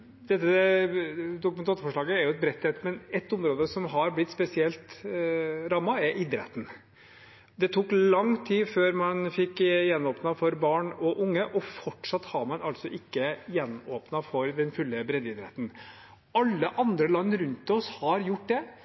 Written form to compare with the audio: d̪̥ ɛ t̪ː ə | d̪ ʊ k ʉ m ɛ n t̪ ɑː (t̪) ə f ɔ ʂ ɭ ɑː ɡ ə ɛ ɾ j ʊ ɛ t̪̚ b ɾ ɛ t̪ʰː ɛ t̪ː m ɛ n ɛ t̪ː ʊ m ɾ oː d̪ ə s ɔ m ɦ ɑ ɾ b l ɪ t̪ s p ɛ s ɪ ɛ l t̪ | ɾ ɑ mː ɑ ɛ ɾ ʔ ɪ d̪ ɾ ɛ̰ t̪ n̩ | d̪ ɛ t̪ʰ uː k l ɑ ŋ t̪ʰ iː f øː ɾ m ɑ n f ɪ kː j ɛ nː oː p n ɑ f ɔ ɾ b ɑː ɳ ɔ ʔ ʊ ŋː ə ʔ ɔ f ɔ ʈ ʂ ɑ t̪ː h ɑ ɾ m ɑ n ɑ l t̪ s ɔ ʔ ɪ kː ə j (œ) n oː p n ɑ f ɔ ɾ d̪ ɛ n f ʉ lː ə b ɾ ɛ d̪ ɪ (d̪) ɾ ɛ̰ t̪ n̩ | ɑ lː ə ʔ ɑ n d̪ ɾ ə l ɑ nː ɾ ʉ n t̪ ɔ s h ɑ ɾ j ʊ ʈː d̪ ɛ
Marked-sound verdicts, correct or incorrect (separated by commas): correct, incorrect, correct